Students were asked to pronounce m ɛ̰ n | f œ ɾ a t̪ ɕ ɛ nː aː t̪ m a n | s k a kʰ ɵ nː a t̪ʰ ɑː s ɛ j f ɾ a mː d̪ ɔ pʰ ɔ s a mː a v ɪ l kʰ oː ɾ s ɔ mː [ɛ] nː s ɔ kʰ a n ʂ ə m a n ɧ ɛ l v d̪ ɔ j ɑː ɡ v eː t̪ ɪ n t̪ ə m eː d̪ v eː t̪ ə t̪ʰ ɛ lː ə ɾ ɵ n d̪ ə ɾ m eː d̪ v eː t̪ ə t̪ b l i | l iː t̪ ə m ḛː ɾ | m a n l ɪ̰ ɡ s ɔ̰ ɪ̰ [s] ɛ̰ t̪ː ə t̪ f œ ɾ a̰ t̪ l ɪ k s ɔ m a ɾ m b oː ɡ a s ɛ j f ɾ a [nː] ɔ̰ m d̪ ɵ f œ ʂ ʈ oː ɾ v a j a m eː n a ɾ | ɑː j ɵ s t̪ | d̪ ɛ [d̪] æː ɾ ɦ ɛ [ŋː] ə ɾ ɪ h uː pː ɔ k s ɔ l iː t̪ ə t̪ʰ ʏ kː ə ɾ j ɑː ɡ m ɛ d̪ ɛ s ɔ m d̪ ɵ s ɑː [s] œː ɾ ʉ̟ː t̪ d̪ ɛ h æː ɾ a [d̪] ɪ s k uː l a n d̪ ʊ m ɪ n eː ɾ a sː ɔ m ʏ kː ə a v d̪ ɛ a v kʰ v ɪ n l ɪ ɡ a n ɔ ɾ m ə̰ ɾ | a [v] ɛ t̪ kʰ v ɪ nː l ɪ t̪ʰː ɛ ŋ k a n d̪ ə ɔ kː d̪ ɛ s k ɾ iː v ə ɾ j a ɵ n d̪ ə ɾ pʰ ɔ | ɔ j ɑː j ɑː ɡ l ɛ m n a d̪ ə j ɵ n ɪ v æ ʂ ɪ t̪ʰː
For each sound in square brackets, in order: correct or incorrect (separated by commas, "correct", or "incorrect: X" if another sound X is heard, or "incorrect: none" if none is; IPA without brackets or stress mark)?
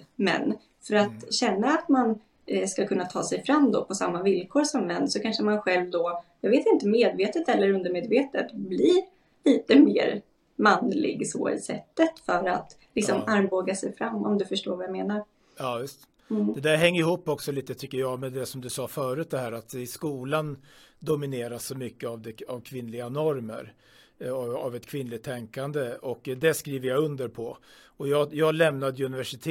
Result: correct, correct, incorrect: mː, correct, correct, incorrect: f, incorrect: t̪, correct